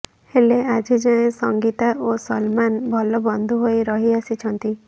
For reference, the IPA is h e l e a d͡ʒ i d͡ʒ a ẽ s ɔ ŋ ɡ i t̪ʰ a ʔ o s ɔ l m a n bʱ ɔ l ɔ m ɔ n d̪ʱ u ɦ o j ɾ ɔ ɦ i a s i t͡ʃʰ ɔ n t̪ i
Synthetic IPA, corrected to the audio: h e l e a d͡ʒ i d͡ʒ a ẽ s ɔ ŋ ɡ i t̪ a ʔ o s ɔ l m a n bʱ ɔ l ɔ b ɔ n d̪ʱ u ɦ o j ɾ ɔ ɦ i a s i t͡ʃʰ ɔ n t̪ i